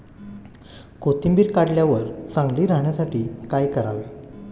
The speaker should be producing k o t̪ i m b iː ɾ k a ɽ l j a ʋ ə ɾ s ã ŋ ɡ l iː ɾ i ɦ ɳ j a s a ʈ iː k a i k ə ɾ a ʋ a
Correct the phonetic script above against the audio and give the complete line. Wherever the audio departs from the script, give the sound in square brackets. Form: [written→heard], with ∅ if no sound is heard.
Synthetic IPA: k o t̪ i m b iː ɾ k a ɽ l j a ʋ ə ɾ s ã ŋ ɡ l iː ɾ [i→a] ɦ ɳ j a s a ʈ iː k a [i→j] k ə ɾ a ʋ [a→e]